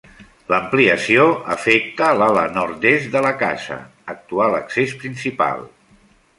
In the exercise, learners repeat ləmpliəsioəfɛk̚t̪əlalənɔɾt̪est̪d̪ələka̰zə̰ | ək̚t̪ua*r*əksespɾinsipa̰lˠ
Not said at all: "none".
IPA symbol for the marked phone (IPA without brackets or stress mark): l